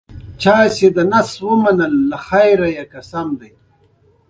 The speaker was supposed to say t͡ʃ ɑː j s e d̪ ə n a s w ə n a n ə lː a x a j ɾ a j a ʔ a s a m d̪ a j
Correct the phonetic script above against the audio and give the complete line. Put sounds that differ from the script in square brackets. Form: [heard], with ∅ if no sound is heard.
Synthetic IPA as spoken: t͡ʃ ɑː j s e d̪ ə n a s w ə [m] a n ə lː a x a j ɾ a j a [k] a s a m d̪ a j